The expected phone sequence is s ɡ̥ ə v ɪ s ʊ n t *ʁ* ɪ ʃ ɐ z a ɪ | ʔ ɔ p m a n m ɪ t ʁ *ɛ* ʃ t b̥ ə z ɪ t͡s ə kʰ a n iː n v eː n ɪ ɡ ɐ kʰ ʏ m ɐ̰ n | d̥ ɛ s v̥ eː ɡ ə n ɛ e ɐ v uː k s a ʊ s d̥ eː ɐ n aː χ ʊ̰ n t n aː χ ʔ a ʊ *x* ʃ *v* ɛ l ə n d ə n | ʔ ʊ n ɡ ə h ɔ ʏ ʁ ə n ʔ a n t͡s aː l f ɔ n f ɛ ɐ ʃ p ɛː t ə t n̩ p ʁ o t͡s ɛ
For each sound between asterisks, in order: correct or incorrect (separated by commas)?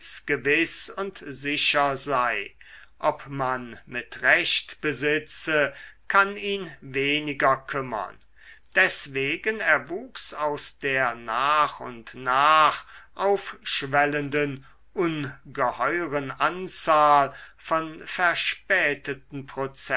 incorrect, correct, incorrect, correct